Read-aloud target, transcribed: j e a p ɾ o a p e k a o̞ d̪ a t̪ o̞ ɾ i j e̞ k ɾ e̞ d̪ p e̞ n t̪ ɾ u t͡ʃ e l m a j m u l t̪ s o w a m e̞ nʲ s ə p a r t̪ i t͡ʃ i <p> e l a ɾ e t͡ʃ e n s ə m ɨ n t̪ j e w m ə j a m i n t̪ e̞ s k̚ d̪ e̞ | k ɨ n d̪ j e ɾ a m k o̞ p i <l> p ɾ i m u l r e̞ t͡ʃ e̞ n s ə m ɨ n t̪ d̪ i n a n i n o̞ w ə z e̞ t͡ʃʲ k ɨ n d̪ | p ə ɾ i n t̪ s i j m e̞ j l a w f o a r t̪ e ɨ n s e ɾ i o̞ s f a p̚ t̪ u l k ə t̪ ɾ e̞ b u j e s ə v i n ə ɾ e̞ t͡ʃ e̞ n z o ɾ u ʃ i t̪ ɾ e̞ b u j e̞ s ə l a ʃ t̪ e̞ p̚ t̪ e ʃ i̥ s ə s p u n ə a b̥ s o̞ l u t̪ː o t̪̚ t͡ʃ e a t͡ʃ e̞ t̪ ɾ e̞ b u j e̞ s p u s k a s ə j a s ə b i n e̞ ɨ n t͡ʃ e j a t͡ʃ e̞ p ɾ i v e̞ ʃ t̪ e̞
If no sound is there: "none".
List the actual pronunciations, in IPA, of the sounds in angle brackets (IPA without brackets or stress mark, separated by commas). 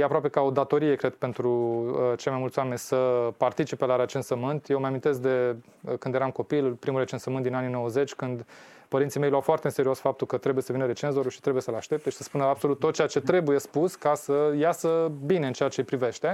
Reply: p, l